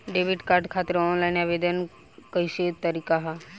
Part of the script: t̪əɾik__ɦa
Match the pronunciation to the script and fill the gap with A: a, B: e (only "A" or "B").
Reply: A